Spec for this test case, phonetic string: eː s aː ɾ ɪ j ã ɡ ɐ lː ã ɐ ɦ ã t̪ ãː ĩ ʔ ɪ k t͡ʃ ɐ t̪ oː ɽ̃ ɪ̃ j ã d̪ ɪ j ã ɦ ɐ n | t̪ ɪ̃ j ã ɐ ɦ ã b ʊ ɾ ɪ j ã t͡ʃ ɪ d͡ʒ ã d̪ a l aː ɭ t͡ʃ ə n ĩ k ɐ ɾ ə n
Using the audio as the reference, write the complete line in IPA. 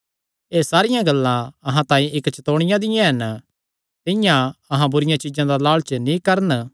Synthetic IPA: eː s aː ɾ ɪ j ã ɡ ɐ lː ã ɐ ɦ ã t̪ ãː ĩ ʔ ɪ k t͡ʃ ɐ t̪ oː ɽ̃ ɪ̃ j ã d̪ ɪ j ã ɦ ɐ n | t̪ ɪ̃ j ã ɐ ɦ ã b ʊ ɾ ɪ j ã t͡ʃ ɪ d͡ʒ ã d̪ a l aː ɭ t͡ʃ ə n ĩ k ɐ ɾ ə n